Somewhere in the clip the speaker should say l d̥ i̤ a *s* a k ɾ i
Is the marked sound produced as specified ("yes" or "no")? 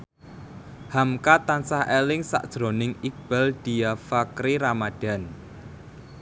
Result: no